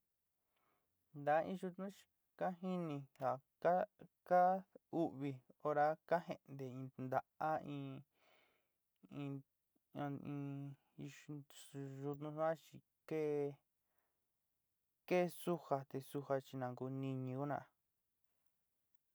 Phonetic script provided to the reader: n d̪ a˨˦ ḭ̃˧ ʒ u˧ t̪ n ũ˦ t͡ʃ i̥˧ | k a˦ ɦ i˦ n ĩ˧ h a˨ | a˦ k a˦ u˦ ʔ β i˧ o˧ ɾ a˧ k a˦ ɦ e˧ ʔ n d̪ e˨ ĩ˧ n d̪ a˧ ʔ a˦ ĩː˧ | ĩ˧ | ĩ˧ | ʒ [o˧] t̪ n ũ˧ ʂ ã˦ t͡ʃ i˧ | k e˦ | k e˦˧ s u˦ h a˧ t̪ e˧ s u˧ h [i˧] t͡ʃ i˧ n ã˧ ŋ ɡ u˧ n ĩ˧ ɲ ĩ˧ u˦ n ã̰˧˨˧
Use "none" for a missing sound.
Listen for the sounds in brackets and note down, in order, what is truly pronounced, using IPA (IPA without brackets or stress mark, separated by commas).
u˧, a˧